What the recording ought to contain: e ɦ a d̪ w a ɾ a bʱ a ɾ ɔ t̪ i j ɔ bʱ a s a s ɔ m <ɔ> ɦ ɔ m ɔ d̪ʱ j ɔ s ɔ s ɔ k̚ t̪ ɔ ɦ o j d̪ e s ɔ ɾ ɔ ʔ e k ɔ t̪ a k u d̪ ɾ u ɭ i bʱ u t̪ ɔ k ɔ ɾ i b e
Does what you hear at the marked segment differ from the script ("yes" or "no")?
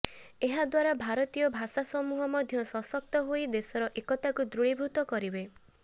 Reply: yes